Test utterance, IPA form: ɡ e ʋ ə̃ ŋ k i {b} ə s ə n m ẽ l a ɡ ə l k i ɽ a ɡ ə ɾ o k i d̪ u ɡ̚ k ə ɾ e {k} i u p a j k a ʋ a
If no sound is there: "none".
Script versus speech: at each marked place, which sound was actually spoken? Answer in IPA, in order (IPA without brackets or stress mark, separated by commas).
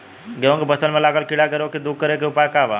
b, k